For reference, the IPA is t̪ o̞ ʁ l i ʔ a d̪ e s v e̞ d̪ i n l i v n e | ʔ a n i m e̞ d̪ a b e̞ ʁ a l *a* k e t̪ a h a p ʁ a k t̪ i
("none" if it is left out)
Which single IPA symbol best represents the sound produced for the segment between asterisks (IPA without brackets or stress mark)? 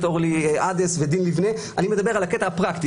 a